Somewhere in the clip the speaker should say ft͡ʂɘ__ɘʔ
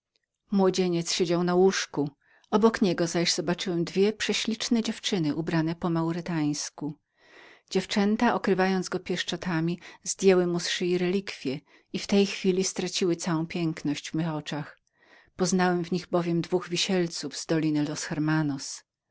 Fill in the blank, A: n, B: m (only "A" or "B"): A